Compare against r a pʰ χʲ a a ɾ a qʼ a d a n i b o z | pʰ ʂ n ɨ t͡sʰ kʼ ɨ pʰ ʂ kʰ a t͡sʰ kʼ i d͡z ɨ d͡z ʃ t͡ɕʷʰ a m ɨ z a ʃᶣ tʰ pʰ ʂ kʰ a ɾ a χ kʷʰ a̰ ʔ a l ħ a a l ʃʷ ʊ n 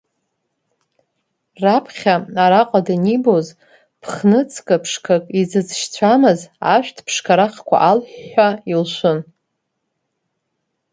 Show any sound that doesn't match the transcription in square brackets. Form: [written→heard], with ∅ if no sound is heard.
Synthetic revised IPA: r a pʰ χʲ a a ɾ a qʼ a d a n i b o z | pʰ [ʂ→χ] n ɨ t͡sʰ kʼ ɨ pʰ ʂ kʰ a [t͡sʰ→∅] kʼ i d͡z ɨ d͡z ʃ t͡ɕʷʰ a m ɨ z a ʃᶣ tʰ pʰ ʂ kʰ a ɾ a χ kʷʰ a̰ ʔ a l ħ a [a→i] l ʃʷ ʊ n